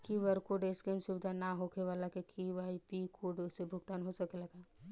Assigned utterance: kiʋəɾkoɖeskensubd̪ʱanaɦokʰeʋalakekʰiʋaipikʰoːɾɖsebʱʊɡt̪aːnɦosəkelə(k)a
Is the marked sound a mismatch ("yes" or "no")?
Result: yes